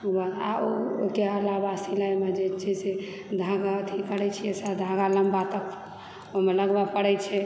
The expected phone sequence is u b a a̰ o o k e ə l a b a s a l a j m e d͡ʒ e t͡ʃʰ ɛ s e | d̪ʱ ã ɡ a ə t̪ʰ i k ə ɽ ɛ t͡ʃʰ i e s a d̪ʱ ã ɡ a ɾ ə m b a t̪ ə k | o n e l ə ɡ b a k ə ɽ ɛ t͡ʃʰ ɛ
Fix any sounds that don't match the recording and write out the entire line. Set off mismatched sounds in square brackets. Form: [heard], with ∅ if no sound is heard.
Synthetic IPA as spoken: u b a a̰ o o k e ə l a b a s [i] l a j m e d͡ʒ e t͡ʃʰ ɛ s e | d̪ʱ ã ɡ a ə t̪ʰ i k ə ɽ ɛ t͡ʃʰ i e s a d̪ʱ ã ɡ a [l] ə m b a t̪ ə k | o [m] e l ə ɡ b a [p] ə ɽ ɛ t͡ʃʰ ɛ